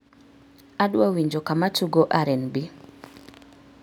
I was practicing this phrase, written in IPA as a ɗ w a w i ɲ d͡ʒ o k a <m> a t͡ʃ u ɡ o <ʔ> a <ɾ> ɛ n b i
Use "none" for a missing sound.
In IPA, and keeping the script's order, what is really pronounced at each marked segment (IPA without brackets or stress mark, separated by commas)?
m, ʔ, ɾ